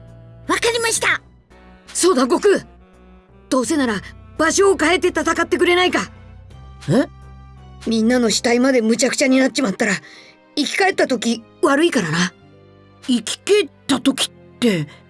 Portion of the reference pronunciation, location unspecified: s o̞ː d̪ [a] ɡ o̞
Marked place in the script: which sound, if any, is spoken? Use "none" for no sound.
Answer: a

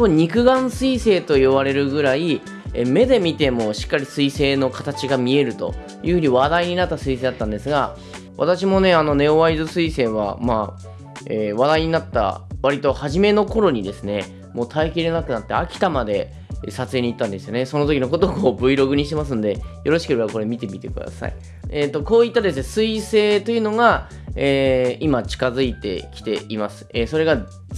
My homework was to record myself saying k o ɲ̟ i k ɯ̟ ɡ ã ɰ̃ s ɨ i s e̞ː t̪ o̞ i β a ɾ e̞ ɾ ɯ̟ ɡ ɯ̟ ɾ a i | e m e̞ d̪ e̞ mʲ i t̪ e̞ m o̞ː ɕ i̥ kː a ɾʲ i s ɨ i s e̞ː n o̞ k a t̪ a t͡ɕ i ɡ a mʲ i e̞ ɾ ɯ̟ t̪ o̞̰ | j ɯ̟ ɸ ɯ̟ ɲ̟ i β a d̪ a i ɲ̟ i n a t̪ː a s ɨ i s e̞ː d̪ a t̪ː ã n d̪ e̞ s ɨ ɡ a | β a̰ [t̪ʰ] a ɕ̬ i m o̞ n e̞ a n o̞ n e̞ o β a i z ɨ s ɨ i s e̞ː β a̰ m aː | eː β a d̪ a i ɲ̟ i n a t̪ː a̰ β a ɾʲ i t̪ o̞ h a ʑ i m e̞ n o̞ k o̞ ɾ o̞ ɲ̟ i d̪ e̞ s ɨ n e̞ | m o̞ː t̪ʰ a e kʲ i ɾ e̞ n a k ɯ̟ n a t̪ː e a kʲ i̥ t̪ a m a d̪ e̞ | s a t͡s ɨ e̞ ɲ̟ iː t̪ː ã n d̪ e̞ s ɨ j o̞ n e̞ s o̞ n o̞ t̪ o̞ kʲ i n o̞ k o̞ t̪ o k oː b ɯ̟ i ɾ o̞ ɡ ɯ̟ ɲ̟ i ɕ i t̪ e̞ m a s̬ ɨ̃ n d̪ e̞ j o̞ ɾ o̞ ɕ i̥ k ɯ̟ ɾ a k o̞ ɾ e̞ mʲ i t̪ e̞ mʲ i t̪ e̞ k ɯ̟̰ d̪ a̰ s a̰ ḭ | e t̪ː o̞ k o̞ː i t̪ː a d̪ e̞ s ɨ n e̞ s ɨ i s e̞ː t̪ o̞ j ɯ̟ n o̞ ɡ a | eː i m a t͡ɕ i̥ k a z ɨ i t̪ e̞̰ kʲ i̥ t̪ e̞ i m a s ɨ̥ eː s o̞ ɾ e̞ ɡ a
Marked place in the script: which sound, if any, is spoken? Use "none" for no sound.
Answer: t̪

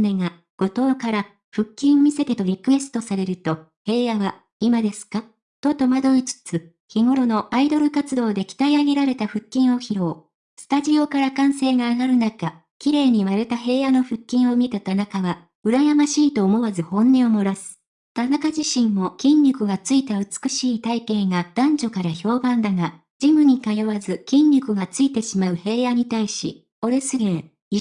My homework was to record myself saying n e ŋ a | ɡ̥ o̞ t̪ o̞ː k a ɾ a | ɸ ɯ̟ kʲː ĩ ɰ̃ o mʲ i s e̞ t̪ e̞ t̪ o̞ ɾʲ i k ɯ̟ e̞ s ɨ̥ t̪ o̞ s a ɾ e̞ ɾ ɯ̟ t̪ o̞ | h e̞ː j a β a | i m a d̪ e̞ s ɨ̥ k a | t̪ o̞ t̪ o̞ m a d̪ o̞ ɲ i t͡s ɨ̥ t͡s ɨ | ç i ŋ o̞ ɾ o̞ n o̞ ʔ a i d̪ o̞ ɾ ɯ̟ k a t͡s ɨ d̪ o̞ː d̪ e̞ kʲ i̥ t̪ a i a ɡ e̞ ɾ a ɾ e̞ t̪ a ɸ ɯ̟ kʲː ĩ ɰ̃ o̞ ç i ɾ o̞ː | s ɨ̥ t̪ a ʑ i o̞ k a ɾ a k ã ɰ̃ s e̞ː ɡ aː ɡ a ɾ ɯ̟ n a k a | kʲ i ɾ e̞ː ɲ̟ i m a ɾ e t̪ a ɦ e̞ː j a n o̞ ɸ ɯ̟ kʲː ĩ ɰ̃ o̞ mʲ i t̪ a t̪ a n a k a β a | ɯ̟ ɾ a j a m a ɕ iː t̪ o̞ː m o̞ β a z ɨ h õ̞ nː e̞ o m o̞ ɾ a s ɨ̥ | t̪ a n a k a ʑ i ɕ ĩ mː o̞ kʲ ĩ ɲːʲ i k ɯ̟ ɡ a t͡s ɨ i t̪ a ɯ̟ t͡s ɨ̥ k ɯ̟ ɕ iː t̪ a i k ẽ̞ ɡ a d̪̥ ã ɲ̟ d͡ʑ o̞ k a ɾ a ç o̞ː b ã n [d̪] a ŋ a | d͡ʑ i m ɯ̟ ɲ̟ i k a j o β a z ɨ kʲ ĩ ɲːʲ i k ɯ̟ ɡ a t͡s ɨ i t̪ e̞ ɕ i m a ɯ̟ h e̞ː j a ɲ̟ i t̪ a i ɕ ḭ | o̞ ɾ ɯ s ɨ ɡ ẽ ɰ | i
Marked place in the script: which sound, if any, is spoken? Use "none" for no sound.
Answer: d̪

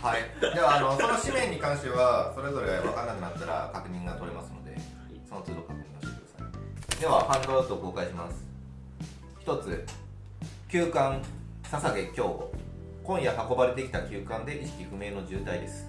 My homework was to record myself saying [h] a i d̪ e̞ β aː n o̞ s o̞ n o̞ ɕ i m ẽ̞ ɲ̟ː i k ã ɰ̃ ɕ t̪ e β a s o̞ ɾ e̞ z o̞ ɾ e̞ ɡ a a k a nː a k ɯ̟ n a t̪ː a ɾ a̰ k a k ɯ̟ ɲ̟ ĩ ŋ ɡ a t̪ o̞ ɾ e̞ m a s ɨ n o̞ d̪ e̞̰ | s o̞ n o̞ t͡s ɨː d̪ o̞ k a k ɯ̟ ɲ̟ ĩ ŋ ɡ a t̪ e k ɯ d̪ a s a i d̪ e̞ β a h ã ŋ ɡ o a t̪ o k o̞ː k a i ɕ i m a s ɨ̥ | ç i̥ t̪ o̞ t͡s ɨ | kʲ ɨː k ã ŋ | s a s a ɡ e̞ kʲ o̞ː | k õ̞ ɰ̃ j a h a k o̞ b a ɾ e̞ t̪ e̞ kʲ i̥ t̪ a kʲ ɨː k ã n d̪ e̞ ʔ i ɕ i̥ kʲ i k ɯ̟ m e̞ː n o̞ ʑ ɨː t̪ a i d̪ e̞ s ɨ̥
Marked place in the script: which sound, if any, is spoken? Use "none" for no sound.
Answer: h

